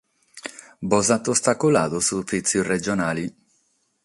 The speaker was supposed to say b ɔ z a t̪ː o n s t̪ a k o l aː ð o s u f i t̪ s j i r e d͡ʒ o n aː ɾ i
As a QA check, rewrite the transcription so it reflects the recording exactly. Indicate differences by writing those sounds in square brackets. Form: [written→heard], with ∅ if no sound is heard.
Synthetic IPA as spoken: b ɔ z a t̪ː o [n→∅] s t̪ a k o l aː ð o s u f i t̪ s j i r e d͡ʒ o n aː [ɾ→l] i